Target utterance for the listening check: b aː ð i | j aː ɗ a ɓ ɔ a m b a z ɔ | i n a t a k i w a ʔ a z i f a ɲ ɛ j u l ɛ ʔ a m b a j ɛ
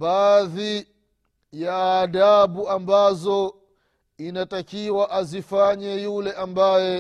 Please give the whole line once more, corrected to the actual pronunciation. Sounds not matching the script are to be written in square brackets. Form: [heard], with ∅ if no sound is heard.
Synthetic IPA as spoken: b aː ð i | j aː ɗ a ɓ [u] a m b a z ɔ | i n a t a k i w a ʔ a z i f a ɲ ɛ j u l ɛ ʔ a m b a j ɛ